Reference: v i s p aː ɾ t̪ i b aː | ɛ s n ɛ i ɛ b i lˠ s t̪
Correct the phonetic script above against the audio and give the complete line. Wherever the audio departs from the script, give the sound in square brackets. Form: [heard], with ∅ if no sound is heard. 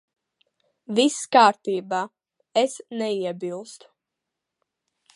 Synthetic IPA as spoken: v i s [k] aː ɾ t̪ [iː] b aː | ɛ s n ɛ i ɛ b i lˠ s t̪